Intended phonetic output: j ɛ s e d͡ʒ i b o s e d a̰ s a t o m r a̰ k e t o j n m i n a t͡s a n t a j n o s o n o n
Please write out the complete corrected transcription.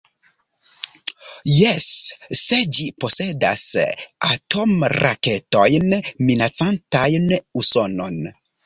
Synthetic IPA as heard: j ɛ sː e d͡ʒ i p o s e d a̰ s a t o m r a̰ k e t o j n m i n a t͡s a n t a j n u s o n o n